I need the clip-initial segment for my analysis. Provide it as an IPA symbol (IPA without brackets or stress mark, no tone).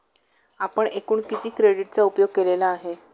a